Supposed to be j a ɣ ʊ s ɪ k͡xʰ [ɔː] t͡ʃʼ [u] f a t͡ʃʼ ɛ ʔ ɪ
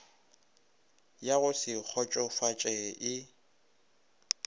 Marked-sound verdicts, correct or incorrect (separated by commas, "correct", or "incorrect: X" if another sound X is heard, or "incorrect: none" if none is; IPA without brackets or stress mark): incorrect: ɔ, incorrect: ɔ